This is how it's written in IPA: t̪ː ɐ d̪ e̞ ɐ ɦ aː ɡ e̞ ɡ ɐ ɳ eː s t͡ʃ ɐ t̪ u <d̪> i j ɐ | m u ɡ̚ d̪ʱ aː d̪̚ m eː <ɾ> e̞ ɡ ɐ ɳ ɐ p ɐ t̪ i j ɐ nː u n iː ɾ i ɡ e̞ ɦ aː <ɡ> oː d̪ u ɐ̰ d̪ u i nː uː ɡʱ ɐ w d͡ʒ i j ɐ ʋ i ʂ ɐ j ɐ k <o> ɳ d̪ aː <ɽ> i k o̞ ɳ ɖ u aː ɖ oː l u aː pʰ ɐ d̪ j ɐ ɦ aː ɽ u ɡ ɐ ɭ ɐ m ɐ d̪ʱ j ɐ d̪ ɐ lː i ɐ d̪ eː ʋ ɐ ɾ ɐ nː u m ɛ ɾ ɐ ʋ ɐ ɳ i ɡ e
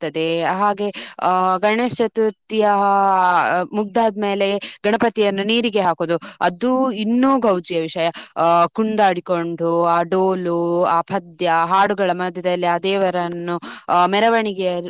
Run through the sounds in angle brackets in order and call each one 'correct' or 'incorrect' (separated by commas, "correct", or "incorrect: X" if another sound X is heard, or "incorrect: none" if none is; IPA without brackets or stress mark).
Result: incorrect: t̪, incorrect: l, incorrect: k, incorrect: u, correct